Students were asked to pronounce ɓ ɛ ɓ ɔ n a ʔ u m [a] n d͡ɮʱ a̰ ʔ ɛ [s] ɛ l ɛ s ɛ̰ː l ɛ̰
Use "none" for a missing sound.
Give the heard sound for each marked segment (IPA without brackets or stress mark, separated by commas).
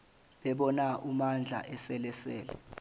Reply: a, s